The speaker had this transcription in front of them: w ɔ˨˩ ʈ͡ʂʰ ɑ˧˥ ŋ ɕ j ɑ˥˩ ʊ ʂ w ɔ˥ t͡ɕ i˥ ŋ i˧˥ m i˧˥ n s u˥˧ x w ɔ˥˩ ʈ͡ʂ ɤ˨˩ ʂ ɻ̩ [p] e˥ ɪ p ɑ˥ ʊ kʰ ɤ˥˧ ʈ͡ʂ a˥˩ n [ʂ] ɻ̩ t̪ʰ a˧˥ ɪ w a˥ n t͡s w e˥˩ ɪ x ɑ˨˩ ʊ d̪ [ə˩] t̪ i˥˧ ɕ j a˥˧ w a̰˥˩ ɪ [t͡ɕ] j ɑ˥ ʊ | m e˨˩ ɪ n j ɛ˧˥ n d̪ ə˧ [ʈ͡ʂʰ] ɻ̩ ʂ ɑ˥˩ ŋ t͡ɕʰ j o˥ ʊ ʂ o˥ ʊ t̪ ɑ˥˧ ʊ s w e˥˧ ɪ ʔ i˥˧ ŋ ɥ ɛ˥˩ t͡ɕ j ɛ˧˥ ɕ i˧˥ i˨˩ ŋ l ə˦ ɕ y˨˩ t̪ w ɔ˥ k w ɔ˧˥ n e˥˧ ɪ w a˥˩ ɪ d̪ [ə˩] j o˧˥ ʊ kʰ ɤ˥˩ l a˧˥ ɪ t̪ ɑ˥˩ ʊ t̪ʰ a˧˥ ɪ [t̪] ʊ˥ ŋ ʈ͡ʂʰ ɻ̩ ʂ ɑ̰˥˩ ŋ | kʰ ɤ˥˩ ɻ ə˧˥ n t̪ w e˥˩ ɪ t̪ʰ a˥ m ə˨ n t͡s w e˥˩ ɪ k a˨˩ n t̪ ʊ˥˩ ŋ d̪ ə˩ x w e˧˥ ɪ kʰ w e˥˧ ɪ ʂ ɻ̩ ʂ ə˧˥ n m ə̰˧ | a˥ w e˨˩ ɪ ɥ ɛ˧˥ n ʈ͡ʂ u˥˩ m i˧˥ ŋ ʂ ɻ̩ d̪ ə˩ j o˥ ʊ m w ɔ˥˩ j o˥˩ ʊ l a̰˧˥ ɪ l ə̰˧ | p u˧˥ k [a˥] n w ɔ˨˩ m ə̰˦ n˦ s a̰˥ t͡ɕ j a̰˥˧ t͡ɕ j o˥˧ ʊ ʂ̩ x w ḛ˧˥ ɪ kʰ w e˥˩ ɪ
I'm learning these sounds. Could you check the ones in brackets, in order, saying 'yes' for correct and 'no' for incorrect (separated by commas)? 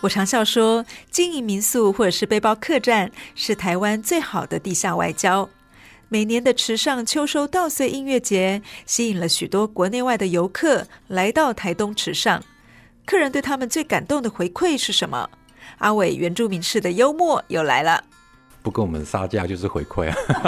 yes, yes, no, yes, yes, yes, yes, no